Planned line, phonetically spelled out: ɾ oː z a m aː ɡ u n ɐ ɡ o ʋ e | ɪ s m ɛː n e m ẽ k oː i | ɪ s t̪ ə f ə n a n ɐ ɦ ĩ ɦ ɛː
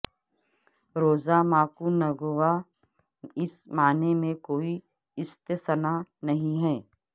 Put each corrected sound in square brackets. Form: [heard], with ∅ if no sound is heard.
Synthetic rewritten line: ɾ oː z a m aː [k] u n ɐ ɡ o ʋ [a] | ɪ s m [aː] n e m ẽ k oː i | ɪ s t̪ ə [s] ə n a n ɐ ɦ ĩ ɦ ɛː